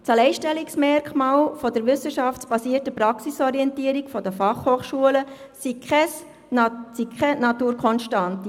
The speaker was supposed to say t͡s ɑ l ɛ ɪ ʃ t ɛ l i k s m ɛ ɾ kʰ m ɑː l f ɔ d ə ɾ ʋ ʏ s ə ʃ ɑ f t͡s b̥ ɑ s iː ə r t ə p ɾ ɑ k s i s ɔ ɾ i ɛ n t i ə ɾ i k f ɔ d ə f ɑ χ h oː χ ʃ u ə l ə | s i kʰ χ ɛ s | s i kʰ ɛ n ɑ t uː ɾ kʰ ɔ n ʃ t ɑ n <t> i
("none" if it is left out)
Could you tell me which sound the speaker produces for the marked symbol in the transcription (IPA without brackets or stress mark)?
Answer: t